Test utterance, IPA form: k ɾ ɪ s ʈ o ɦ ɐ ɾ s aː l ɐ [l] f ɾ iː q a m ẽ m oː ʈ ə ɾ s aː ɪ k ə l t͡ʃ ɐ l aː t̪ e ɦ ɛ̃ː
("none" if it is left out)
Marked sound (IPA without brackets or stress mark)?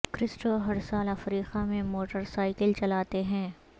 none